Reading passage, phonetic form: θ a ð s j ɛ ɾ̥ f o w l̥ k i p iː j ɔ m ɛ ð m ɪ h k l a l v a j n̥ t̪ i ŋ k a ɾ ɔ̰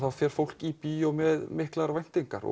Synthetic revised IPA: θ a ð f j ɛ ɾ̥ f o w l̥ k i p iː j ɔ m ɛ ð m ɪ h k l a ɾ v a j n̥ t̪ i ŋ k a ɾ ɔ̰